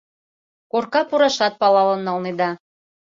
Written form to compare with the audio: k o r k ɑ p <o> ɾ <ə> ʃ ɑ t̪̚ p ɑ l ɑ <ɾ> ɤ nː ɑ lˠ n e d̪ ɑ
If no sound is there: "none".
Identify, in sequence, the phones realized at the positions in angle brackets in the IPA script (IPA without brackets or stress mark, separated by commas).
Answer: u, ɑ, l